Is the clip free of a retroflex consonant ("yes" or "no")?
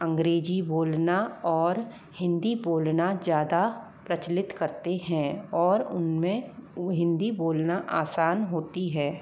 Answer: yes